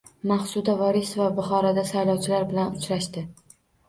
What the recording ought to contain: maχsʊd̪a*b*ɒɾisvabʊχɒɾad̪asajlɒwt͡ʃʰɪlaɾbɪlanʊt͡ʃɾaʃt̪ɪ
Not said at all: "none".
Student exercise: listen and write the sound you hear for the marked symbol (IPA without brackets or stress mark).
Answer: v